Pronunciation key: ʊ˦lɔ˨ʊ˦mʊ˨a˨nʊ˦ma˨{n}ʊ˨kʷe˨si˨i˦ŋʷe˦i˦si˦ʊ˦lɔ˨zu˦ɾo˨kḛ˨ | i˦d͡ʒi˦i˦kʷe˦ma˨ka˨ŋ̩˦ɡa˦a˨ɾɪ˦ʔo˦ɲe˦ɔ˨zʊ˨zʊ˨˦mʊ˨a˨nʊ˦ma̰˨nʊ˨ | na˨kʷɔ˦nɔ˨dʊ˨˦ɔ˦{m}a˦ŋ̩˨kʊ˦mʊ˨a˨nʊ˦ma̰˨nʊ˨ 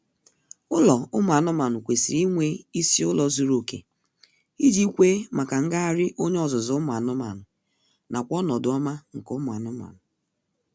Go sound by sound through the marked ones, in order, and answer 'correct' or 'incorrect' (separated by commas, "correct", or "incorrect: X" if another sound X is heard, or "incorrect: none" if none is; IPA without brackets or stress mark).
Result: correct, correct